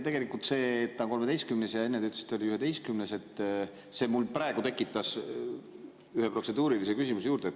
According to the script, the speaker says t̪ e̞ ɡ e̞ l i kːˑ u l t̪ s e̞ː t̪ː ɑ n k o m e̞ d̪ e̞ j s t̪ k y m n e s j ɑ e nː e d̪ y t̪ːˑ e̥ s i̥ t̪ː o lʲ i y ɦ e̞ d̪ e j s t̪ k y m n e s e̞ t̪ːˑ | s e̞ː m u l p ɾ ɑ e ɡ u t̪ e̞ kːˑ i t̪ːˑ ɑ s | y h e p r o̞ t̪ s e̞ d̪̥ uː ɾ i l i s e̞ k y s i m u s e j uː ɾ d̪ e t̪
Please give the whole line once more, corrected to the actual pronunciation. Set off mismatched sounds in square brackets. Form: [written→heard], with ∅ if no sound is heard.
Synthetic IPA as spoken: t̪ e̞ ɡ e̞ l i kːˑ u l t̪ s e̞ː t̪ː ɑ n k o m e̞ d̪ e̞ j s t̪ k y m n e s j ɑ e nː e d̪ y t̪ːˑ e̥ s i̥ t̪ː o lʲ i y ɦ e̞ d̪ e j s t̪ k y m n e s e̞ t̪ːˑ | s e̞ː m u l p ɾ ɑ e ɡ u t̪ e̞ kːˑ i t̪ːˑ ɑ s | y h e p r o̞ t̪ s e̞ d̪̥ uː ɾ i l i s e̞ k y s i m u s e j uː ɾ d̪ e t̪

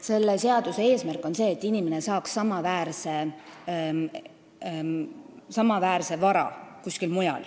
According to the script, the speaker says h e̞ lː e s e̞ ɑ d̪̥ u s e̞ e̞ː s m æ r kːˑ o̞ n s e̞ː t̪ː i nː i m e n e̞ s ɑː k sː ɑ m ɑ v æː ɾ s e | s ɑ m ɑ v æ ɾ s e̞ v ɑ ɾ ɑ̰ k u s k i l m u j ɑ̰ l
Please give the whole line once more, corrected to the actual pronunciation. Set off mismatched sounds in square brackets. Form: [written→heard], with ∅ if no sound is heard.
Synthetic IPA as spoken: [h→s] e̞ lː e s e̞ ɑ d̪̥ u s e̞ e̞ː s m æ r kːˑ o̞ n s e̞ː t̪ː i [nː→n] i m e n e̞ s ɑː k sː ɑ m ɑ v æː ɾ s e | s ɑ m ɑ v [æ→æː] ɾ s e̞ v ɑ ɾ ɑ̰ k u s k i l m u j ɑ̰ l

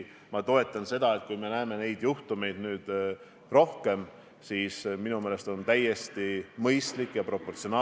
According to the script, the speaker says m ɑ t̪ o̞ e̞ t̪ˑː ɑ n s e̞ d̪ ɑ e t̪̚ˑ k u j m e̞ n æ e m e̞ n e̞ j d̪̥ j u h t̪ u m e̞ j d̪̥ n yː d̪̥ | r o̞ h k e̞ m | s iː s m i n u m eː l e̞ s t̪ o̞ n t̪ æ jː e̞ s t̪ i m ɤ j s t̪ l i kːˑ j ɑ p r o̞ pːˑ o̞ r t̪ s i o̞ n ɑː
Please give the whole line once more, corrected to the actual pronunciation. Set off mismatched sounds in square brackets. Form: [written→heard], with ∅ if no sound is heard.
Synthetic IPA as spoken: m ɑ t̪ o̞ e̞ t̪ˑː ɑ n s e̞ d̪ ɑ e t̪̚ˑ k u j m e̞ n æ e m e̞ n e̞ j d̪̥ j u h t̪ u m e̞ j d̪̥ n yː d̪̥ | r o̞ h k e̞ m | s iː s m i n u m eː l e̞ s t̪ o̞ n t̪ æ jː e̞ s t̪ i m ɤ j s t̪ l i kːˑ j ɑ p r o̞ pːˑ o̞ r t̪ s i o̞ n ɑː

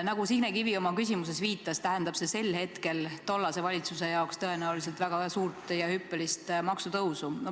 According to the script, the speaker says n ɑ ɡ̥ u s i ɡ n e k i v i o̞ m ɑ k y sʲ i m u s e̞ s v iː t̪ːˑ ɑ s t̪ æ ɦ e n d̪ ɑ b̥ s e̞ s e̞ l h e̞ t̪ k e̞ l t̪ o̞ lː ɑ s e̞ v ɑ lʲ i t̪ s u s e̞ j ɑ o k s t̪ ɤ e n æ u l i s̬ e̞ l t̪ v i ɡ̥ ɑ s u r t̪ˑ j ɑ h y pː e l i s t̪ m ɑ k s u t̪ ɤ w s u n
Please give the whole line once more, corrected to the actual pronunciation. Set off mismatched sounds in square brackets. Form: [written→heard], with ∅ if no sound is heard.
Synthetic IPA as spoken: n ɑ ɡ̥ u s i ɡ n e k i v i o̞ m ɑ k y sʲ i m u s e̞ s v iː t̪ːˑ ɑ s t̪ æ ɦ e n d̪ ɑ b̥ s e̞ s e̞ l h e̞ t̪ k e̞ l t̪ o̞ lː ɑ s e̞ v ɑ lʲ i t̪ s u s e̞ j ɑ o k s t̪ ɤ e n æ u l i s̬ e̞ l t̪ v [i→æ] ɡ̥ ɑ s [u→uː] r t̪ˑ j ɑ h y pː e l i s t̪ m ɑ k s u t̪ ɤ w s u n

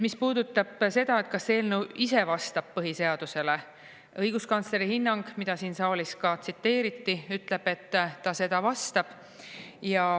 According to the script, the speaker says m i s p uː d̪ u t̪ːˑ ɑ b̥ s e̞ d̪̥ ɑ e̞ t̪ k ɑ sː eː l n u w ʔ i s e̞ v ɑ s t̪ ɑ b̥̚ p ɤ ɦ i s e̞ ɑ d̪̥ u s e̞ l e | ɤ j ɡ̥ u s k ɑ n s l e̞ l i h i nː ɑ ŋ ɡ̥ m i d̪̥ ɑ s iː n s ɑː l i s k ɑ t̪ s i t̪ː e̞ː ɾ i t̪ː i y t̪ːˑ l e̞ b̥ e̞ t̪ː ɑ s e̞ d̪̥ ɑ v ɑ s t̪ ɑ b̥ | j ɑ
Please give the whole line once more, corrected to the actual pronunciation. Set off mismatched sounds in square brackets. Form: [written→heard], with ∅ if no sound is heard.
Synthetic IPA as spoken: m i s p uː d̪ u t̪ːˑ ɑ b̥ s e̞ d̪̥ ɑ e̞ t̪ k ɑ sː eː l n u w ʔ i s e̞ v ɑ s t̪ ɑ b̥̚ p ɤ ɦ i s e̞ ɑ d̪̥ u s e̞ l e | ɤ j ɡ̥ u s k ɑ n s l e̞ [l→ɾ] i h i nː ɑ ŋ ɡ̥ m i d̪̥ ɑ s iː n s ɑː l i s k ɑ t̪ s i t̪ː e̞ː ɾ i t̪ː i y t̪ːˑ l e̞ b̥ e̞ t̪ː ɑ s e̞ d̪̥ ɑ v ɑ s t̪ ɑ b̥ | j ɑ

